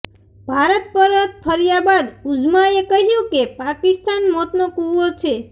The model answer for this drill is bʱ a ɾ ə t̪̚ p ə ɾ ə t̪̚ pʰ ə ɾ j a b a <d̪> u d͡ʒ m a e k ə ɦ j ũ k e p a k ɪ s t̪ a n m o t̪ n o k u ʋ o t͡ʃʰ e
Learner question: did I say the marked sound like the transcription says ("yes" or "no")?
yes